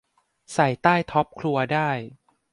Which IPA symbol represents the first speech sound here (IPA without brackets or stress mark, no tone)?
s